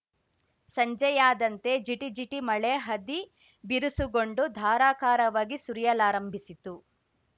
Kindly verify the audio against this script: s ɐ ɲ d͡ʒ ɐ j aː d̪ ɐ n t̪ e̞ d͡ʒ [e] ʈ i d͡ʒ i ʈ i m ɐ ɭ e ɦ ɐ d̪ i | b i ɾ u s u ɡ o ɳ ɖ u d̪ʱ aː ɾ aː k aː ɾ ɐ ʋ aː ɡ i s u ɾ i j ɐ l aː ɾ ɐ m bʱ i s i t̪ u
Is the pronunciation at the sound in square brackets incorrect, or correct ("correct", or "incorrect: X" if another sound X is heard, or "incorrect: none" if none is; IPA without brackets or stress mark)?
incorrect: i